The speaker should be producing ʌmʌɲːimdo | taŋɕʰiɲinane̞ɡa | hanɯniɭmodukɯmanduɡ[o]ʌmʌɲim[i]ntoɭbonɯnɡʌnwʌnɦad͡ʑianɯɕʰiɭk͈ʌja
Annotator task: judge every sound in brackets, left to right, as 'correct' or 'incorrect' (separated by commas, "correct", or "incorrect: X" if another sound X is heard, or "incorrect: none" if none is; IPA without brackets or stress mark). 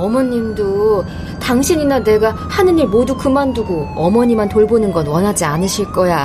correct, incorrect: a